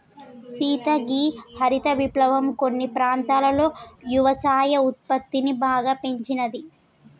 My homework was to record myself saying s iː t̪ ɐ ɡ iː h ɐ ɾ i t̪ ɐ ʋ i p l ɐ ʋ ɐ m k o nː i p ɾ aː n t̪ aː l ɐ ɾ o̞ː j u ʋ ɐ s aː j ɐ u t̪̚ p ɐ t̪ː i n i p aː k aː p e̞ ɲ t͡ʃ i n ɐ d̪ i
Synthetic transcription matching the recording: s iː t̪ ɐ ɡ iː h ɐ ɾ i t̪ ɐ ʋ i p l ɐ ʋ ɐ m k o nː i p ɾ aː n t̪ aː l ɐ l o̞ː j u ʋ ɐ s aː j ɐ u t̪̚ p ɐ t̪ː i n i b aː ɡ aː p e̞ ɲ t͡ʃ i n ɐ d̪ i